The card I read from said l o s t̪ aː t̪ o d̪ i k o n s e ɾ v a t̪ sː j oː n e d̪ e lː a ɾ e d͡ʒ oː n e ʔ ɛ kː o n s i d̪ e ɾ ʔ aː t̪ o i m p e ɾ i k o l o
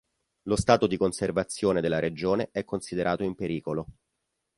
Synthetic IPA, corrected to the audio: l o s t̪ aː t̪ o d̪ i k o n s e r v a t̪ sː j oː n e d̪ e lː a ɾ e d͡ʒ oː n e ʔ ɛ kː o n s i d̪ e ɾ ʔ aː t̪ o i m p e ɾ iː k o l o